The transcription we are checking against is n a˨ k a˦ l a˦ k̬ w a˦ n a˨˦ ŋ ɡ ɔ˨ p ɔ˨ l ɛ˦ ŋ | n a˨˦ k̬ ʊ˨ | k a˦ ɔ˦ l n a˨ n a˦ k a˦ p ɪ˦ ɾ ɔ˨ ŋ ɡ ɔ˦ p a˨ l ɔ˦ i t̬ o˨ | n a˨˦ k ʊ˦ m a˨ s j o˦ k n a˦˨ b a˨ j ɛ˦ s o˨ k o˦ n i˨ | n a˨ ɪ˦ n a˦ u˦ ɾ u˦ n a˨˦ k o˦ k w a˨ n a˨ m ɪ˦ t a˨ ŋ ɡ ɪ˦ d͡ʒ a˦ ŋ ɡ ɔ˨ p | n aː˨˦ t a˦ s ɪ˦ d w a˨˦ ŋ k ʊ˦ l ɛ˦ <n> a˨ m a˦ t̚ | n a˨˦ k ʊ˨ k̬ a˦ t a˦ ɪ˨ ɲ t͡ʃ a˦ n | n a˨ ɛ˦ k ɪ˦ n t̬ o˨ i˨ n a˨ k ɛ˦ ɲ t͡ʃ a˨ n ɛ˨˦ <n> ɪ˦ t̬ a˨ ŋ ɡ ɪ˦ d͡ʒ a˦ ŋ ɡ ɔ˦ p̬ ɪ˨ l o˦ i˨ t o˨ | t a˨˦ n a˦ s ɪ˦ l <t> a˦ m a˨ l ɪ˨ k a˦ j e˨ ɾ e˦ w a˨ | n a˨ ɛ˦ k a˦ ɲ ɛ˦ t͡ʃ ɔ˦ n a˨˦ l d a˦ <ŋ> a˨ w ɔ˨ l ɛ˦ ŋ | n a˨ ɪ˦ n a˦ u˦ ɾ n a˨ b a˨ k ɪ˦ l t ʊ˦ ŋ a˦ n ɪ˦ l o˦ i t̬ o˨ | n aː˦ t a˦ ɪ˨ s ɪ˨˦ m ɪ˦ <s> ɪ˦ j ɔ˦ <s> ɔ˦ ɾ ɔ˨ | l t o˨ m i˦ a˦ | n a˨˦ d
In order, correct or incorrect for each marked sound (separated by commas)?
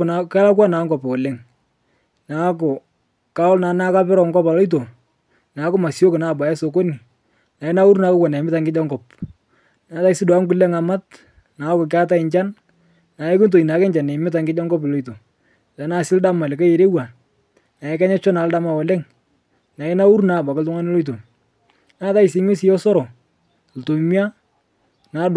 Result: incorrect, incorrect, incorrect, incorrect, correct, correct